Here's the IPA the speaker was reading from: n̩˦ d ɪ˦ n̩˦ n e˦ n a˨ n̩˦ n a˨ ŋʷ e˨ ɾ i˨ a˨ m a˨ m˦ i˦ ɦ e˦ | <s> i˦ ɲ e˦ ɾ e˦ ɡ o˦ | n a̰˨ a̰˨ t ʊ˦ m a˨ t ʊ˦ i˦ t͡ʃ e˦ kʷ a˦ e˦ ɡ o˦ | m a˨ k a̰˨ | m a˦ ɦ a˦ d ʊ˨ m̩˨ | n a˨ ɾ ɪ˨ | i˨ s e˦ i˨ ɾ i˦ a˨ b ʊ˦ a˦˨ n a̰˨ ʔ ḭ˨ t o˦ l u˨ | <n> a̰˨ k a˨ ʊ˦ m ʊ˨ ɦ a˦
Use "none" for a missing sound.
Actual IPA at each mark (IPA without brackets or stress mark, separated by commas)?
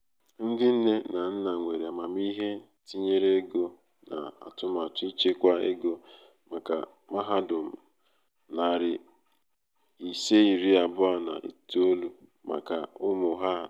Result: t, m